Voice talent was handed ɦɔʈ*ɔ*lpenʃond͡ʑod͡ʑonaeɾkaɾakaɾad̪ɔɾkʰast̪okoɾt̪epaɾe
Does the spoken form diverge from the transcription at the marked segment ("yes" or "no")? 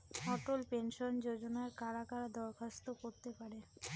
yes